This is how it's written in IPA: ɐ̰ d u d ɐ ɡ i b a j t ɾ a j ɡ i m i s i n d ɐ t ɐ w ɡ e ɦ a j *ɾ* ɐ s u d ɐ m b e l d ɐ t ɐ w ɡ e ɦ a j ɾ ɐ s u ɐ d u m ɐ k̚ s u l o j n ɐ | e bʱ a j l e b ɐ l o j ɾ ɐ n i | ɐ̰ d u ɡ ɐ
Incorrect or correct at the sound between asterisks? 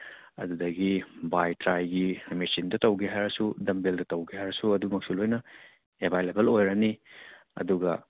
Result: correct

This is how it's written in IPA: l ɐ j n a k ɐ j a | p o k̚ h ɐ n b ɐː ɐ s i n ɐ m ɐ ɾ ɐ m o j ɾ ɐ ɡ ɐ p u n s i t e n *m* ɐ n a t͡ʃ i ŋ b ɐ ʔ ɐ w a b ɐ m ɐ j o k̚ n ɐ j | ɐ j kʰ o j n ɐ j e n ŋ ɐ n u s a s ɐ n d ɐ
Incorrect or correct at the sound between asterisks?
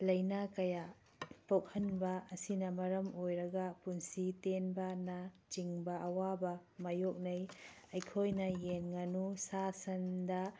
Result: incorrect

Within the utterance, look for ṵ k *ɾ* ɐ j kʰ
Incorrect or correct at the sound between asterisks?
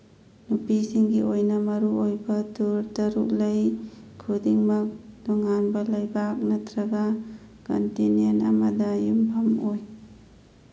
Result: incorrect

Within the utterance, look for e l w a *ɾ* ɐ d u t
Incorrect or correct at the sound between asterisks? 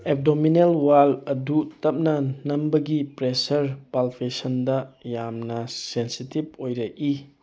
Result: incorrect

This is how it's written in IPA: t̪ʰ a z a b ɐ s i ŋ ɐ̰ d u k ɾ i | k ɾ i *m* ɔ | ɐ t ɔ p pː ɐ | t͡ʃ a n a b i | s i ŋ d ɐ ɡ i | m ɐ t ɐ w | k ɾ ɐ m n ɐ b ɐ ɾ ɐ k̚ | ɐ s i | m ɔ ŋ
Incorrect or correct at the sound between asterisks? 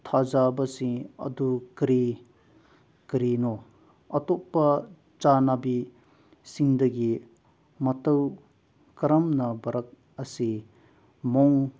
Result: incorrect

